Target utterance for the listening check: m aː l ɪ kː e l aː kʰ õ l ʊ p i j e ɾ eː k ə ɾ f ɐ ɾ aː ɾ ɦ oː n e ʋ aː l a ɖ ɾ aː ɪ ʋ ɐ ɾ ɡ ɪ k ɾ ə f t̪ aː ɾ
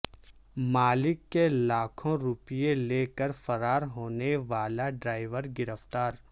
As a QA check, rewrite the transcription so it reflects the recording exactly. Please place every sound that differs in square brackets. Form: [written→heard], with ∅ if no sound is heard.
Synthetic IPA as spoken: m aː l ɪ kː e l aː kʰ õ [l→ɾ] ʊ p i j e [ɾ→l] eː k ə ɾ f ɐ ɾ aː ɾ ɦ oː n e ʋ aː l a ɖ ɾ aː ɪ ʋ [ɐ→ə] ɾ ɡ ɪ [k→∅] ɾ ə f t̪ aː ɾ